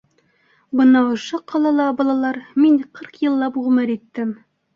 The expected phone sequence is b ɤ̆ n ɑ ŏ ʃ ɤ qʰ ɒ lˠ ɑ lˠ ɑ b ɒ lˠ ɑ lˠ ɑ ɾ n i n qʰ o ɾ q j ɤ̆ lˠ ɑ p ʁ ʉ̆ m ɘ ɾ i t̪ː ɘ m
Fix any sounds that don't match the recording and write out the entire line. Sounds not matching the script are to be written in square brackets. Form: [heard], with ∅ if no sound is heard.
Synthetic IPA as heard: b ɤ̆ n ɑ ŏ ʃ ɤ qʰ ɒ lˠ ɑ lˠ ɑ b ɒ lˠ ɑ lˠ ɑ ɾ [m] i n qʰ [ɤ] ɾ q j ɤ̆ [lˠː] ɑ p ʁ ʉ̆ m ɘ ɾ i t̪ː ɘ m